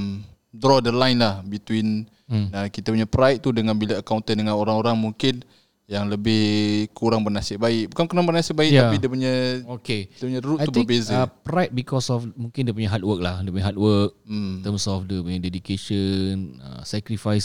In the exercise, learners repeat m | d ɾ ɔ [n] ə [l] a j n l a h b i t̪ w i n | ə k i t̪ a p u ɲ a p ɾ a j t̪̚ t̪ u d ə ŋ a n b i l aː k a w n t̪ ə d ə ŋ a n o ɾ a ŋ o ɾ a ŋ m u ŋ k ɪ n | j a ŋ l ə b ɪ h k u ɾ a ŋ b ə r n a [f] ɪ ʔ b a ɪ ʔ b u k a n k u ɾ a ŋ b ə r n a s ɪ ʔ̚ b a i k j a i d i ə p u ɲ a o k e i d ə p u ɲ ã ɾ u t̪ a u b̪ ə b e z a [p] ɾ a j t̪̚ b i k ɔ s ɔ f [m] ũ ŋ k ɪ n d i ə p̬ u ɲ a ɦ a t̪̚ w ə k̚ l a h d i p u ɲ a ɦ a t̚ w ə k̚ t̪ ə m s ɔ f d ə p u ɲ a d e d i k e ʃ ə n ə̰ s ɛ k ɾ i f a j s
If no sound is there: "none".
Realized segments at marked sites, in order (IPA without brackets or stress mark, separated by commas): d, l, s, p, m